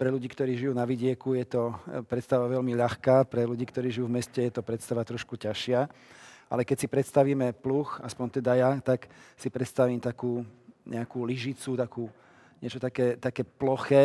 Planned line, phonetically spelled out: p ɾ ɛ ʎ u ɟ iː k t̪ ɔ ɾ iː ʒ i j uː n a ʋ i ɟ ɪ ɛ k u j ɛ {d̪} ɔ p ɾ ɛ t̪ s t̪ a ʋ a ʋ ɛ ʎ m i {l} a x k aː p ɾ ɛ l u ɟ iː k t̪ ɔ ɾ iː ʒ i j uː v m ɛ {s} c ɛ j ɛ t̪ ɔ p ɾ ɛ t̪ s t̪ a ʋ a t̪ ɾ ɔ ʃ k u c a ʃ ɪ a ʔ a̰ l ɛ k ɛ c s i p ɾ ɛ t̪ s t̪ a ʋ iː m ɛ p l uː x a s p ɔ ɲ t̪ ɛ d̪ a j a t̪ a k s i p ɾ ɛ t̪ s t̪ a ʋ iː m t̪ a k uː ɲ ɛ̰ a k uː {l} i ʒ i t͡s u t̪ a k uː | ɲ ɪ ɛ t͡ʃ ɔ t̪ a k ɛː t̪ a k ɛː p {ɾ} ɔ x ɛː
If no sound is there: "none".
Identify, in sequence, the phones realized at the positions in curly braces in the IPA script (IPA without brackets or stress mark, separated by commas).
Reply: t̪, ʎ, s, l, l